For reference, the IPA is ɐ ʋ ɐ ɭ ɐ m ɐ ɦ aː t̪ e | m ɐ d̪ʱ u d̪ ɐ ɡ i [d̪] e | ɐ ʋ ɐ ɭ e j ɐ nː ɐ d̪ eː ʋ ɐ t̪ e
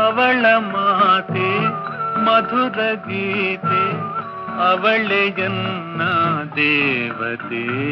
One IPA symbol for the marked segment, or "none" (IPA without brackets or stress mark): t̪